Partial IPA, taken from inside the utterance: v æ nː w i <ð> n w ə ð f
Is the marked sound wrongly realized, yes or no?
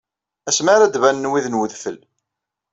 no